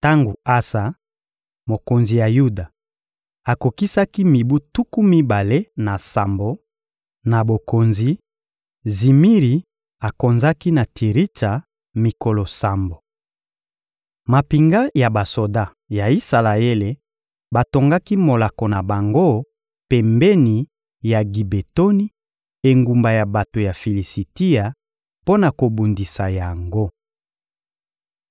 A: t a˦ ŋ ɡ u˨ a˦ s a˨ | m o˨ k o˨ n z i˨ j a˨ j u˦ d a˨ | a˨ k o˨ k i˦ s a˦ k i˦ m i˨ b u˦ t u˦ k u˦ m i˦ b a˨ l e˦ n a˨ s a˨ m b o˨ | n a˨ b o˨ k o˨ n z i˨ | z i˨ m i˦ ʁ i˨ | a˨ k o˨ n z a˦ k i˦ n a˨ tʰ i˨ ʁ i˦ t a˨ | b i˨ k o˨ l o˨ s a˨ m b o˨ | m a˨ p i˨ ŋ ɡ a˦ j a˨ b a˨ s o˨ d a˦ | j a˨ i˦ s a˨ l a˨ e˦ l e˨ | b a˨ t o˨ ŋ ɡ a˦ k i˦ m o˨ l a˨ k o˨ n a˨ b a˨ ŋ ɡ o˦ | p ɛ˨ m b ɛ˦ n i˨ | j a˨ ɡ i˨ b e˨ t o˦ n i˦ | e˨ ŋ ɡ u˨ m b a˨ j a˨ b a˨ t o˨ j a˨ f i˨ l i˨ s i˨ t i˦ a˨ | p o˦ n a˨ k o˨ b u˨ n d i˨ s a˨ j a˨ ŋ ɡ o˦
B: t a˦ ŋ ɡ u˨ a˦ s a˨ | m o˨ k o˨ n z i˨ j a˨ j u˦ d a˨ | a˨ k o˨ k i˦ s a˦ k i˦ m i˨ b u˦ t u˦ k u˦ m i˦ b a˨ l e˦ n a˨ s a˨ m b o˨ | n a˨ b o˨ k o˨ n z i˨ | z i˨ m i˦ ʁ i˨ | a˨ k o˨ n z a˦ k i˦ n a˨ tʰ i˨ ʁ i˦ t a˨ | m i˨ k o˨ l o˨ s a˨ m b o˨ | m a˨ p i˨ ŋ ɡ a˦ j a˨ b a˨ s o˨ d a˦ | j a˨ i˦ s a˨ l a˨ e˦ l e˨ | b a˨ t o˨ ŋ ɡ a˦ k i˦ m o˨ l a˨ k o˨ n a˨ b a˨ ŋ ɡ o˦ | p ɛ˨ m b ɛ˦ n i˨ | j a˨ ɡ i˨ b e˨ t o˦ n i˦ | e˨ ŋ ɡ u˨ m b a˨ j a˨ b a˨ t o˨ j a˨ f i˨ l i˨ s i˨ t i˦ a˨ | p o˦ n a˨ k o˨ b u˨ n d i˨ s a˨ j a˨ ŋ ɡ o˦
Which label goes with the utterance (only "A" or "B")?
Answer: B